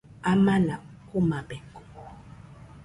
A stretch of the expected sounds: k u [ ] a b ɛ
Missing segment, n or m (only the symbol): m